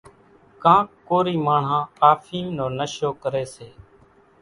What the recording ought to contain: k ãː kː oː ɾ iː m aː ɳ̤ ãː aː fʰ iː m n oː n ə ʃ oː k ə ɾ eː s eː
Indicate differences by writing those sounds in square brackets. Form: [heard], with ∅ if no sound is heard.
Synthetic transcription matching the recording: k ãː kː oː ɾ iː m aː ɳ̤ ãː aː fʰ iː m n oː n ə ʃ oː k ə ɾ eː s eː